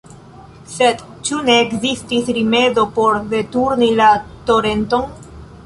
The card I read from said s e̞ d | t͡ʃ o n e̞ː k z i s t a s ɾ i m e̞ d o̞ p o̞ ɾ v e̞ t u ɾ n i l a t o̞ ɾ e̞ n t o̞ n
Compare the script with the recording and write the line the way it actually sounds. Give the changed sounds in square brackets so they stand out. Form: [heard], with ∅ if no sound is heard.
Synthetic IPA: s e̞ d | t͡ʃ [u] n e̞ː k z i s t [i] s ɾ i m e̞ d o̞ p o̞ ɾ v e̞ t u ɾ n i l a t o̞ ɾ e̞ n t o̞ n